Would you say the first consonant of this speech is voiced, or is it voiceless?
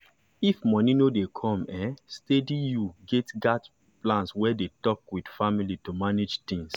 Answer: voiceless